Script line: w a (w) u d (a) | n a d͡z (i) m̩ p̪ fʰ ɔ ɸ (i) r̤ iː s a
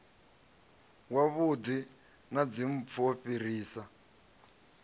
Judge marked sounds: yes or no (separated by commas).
no, no, yes, yes